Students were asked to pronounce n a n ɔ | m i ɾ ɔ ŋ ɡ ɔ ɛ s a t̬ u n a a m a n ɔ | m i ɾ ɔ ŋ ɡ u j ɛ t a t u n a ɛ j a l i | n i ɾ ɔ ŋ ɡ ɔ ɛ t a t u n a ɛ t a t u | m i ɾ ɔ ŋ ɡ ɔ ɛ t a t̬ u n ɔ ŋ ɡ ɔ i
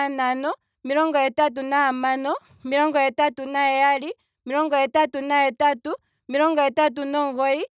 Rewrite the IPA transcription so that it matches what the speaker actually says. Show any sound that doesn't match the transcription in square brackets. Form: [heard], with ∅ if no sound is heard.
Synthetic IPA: n a n ɔ | m i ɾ ɔ ŋ ɡ ɔ ɛ [t] a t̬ u n a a m a n ɔ | m i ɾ ɔ ŋ ɡ [ɔ] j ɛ t a t u n a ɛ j a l i | [m] i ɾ ɔ ŋ ɡ ɔ ɛ t a t u n a ɛ t a t u | m i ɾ ɔ ŋ ɡ ɔ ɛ t a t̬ u n ɔ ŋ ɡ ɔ i